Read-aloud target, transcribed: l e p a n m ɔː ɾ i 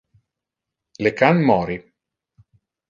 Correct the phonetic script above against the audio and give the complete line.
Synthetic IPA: l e k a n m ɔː ɾ i